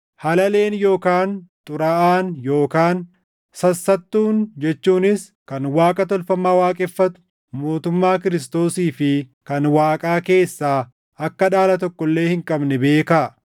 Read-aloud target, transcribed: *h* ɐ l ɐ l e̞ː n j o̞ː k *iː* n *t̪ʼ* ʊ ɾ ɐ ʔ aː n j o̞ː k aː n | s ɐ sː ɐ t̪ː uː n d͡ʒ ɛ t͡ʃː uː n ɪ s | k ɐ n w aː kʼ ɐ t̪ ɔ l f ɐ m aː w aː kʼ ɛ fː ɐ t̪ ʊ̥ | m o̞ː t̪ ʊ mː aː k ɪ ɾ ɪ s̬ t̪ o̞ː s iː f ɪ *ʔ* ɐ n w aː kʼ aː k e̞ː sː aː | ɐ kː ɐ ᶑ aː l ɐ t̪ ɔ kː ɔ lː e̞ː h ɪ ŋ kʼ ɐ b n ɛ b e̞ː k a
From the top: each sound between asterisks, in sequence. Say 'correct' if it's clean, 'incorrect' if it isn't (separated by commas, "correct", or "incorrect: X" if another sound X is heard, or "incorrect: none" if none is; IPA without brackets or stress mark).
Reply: correct, incorrect: aː, correct, incorrect: k